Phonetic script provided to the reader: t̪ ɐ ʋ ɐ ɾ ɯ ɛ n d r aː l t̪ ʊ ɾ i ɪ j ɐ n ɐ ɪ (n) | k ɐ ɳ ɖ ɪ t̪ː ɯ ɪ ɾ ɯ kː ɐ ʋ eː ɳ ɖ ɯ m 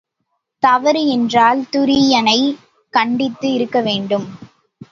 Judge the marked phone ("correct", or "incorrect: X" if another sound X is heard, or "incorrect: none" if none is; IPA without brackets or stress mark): incorrect: none